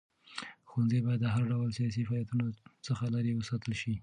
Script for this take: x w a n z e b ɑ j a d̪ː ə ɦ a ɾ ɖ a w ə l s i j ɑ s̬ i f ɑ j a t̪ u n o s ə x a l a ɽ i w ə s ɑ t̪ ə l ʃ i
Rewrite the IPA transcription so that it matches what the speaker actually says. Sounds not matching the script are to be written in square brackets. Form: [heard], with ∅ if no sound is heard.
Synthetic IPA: x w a n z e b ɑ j a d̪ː ə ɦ a ɾ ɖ a w ə l s i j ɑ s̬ i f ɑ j a t̪ u n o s ə x a l a [ɾ] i w ə s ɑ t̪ ə l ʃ i